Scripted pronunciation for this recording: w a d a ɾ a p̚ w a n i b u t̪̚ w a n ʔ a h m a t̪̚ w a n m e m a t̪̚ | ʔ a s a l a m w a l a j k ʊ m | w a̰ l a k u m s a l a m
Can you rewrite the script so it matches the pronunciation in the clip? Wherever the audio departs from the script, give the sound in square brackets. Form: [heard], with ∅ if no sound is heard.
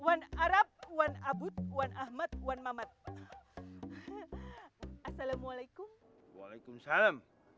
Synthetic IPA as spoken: w a [n] a ɾ a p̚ w a n [a] b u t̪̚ w a n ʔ a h m a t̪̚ w a n m [a] m a t̪̚ | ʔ a s a l a m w a l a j k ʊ m | w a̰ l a k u m s a l a m

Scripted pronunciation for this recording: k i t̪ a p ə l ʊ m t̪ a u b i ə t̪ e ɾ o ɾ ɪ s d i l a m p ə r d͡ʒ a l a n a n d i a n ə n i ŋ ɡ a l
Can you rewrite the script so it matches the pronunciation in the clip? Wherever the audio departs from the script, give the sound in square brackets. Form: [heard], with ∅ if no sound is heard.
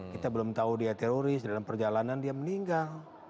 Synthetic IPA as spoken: k i t̪ a [b] ə l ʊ m t̪ a u [d] i [a] t̪ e ɾ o ɾ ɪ s d [a] l a m p ə r d͡ʒ a l a n a n d i a [m] ə n i ŋ ɡ a l

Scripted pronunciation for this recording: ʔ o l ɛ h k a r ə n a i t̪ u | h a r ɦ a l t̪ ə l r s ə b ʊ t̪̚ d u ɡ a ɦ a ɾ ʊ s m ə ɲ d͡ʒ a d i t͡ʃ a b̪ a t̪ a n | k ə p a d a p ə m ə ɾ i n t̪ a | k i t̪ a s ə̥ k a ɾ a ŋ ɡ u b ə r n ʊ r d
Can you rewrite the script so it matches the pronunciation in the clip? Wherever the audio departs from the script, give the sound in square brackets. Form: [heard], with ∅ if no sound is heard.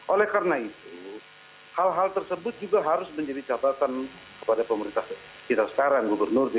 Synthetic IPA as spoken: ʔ o l ɛ h k a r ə n a i t̪ u | h a [l] ɦ a l t̪ ə [∅] r s ə b ʊ t̪̚ [d͡ʒ] u ɡ a ɦ a ɾ ʊ s m ə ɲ d͡ʒ a d i t͡ʃ a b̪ a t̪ a n | k ə p a d a p ə m ə ɾ i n t̪ a | k i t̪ a s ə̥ k a ɾ a ŋ ɡ u b ə r n ʊ r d

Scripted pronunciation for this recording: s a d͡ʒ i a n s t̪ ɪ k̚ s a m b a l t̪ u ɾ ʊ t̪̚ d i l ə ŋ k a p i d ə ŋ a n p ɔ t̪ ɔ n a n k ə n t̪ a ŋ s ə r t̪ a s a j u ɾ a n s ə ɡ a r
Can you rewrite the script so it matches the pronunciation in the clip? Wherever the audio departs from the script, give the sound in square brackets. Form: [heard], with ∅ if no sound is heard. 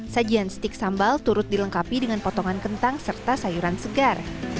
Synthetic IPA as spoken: s a d͡ʒ i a n s t̪ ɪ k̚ s a m b a l t̪ u ɾ ʊ t̪̚ d i l ə ŋ k a p i d ə ŋ a n p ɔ t̪ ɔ [ŋ] a n k ə n t̪ a ŋ s ə r t̪ a s a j u ɾ a n s ə ɡ a r

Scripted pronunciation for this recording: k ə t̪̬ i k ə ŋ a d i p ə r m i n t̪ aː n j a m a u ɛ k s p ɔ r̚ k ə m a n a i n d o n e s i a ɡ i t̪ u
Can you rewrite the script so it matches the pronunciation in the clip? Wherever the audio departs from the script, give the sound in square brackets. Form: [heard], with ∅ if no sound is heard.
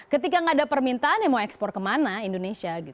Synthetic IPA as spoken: k ə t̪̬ i k [a] ŋ a d [a] p ə r m i n t̪ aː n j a m a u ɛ k s p ɔ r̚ k ə m a n a i n d o n e s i a ɡ i t̪ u

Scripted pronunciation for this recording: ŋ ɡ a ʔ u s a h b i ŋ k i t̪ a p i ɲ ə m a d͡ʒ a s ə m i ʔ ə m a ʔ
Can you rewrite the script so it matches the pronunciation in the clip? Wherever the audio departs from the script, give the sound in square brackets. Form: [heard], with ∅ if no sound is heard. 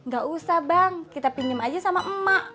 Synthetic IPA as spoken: ŋ ɡ a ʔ u s a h b [a] ŋ k i t̪ a p i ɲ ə m a d͡ʒ a s [a] m [a] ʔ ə m a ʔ

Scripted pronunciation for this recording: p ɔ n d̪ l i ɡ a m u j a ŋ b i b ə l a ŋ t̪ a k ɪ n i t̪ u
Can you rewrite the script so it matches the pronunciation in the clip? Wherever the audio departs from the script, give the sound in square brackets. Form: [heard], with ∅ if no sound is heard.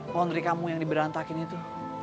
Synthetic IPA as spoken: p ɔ n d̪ [ɾ] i [k] a m u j a ŋ [d] i b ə [ɾ] a [n] t̪ a k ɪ n i t̪ u

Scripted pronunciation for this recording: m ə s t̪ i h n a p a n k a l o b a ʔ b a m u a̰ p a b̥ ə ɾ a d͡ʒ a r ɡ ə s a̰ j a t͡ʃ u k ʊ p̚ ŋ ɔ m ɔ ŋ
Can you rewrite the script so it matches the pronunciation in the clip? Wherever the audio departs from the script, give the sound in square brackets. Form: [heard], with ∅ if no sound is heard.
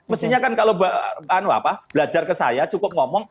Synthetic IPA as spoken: m ə s t̪ i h [ɲ] a [k] a n k a l o b a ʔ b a [n] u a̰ p a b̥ ə [l] a d͡ʒ a r [k] ə s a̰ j a t͡ʃ u k ʊ p̚ ŋ ɔ m ɔ ŋ

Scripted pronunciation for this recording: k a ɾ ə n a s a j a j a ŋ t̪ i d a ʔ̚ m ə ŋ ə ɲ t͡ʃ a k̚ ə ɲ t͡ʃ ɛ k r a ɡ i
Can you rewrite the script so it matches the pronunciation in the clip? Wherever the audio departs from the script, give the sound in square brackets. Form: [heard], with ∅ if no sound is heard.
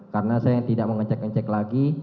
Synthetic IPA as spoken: k a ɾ ə n a s a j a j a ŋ t̪ i d a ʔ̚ m ə ŋ ə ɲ t͡ʃ [ɛ] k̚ ə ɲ t͡ʃ ɛ k [l] a ɡ i

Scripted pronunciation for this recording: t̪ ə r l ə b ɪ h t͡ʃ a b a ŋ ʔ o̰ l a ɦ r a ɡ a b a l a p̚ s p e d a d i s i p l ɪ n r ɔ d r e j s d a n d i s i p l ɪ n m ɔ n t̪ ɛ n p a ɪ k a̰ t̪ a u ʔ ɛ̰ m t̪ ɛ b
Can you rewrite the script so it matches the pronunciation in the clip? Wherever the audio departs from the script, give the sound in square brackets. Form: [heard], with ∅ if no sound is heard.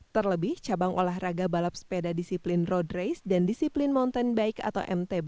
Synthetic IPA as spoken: t̪ ə r l ə b ɪ h t͡ʃ a b a ŋ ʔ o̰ l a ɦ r a ɡ a b a l a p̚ s p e d a d i s i p l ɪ n r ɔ d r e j s d a n d i s i p l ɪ n m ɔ n t̪ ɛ n [b] a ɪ k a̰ t̪ a [w] ʔ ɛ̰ m t̪ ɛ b

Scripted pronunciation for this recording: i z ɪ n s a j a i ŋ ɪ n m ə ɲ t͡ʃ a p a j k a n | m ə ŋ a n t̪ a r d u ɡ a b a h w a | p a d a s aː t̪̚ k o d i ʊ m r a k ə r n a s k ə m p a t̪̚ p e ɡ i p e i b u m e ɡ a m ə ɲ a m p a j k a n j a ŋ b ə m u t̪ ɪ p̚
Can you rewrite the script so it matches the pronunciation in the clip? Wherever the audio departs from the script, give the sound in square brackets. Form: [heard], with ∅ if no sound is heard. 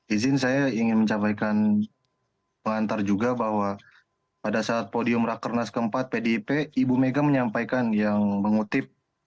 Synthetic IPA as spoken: i z ɪ n s a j a i ŋ ɪ n m ə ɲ t͡ʃ a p a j k a n | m ə ŋ a n t̪ a r [d͡ʒ] u ɡ a b a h w a | p a d a s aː t̪̚ [p] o d i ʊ m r a k ə r n a s k ə m p a t̪̚ p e [d] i p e i b u m e ɡ a m ə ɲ a m p a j k a n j a ŋ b ə [ŋ] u t̪ ɪ p̚

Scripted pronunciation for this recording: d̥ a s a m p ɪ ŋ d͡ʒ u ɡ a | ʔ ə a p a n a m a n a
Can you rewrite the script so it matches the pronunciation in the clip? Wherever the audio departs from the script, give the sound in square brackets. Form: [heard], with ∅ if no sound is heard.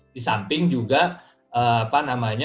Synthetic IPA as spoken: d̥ [i] s a m p ɪ ŋ d͡ʒ u ɡ a | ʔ ə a p a n a m a [ɲ] a

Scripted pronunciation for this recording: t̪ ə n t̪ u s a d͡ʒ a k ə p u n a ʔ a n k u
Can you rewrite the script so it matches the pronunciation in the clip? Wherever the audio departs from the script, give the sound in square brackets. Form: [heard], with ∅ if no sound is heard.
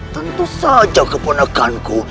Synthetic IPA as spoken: t̪ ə n t̪ u s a d͡ʒ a k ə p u n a [k] a n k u

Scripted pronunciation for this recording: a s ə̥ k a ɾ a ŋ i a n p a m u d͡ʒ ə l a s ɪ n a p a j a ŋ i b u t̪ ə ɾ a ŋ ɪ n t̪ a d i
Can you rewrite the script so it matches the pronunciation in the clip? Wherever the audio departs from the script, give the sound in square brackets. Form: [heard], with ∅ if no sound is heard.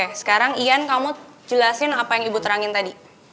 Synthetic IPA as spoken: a s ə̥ k a ɾ a ŋ i a n [k] a m u d͡ʒ ə l a s ɪ n a p a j a ŋ i b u t̪ ə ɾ a ŋ ɪ n t̪ a d i

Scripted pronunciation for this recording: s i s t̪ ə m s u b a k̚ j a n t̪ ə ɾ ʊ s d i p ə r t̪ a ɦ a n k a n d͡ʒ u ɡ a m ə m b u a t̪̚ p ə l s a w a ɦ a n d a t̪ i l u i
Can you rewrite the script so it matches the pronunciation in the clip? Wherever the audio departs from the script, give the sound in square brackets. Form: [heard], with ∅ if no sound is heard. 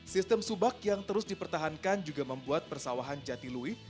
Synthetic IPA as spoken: s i s t̪ ə m s u b a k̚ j a [ŋ] t̪ ə ɾ ʊ s d i p ə r t̪ a ɦ a n k a n d͡ʒ u ɡ a m ə m b u a t̪̚ p ə [r] s a w a ɦ a n [d͡ʒ] a t̪ i l u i

